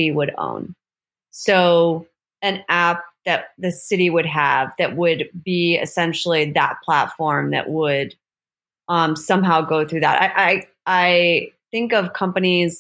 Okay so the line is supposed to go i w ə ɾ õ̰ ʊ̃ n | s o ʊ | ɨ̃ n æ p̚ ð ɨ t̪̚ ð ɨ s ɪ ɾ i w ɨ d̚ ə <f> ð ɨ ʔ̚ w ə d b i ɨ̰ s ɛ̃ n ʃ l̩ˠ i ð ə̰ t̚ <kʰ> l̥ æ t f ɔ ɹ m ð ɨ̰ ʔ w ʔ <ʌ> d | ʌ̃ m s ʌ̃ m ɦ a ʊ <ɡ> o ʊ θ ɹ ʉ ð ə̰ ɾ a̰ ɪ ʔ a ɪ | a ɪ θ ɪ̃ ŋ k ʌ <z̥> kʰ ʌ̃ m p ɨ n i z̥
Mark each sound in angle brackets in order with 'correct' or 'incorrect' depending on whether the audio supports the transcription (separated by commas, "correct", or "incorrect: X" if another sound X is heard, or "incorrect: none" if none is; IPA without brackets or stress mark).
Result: incorrect: v, incorrect: pʰ, incorrect: ə, correct, incorrect: v̥